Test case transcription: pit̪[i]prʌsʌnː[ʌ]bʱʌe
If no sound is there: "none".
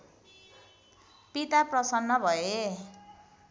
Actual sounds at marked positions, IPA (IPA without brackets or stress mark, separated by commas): a, ʌ